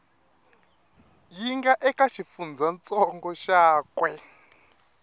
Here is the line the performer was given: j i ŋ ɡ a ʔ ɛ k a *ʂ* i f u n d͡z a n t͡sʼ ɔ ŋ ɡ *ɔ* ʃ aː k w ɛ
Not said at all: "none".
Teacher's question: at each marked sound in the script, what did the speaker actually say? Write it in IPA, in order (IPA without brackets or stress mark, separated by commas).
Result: ʃ, ɔ